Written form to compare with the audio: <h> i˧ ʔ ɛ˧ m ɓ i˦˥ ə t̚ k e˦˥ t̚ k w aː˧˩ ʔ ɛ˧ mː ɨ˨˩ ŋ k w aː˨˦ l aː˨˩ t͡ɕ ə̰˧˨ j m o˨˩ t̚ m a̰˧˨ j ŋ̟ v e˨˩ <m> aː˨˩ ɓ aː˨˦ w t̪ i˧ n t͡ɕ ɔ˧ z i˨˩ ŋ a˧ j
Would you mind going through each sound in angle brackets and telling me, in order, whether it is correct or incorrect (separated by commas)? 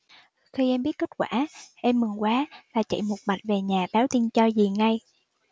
incorrect, incorrect